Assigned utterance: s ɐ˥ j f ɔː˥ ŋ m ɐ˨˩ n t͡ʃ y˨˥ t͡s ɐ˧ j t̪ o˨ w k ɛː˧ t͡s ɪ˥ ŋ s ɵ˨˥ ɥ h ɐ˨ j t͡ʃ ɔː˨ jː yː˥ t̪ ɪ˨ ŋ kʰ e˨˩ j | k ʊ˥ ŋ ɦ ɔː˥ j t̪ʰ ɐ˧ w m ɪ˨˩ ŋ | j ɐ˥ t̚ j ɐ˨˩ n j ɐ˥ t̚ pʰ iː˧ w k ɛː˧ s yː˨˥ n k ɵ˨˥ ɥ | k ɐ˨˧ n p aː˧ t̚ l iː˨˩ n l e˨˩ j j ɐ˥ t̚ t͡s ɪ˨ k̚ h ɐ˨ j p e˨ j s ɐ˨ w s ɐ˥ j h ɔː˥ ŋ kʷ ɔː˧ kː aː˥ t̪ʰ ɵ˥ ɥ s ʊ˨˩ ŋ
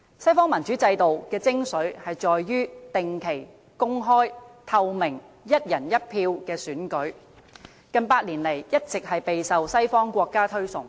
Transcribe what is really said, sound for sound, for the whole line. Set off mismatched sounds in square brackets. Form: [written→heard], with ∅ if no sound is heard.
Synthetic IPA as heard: s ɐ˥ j f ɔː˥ ŋ m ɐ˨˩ n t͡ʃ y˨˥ t͡s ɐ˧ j t̪ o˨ w k ɛː˧ t͡s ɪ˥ ŋ s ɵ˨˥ ɥ h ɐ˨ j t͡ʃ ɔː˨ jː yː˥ t̪ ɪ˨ ŋ kʰ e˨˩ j | k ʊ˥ ŋ ɦ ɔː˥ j t̪ʰ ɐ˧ w m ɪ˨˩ ŋ | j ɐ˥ t̚ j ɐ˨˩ n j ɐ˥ t̚ pʰ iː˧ w k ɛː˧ s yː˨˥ n k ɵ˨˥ ɥ | k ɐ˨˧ n p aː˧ t̚ l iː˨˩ n l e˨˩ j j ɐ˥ t̚ t͡s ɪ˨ k̚ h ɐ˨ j p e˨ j s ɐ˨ w s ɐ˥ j [h→f] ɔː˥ ŋ kʷ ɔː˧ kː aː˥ t̪ʰ ɵ˥ ɥ s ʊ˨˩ ŋ